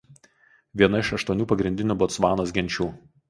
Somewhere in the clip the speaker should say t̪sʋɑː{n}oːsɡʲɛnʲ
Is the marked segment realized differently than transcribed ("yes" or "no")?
no